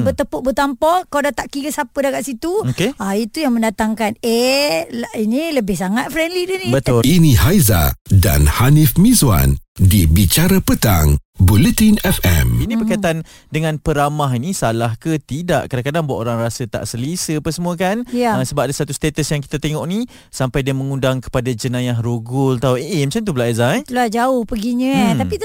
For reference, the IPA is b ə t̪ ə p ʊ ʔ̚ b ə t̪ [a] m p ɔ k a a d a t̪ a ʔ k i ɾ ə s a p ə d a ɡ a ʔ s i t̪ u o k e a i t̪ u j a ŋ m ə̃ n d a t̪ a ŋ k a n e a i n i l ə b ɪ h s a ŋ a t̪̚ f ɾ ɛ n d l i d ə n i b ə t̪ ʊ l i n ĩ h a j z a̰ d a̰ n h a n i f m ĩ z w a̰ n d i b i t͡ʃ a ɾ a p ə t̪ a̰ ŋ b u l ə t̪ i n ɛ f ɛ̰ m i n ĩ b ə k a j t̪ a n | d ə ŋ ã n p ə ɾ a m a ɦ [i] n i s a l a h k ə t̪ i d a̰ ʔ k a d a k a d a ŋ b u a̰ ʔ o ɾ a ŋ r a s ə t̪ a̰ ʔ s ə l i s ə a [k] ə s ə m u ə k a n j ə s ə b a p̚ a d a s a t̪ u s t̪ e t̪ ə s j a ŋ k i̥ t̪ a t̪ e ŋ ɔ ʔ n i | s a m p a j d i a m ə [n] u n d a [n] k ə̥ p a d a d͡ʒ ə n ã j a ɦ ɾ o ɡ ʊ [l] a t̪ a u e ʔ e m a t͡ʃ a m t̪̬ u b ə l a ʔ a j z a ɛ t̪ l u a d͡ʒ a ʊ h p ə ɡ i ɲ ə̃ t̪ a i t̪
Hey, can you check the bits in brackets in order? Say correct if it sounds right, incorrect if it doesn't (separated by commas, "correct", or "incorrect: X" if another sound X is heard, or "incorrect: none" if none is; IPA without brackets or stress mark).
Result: correct, correct, incorrect: p, incorrect: ŋ, incorrect: ŋ, correct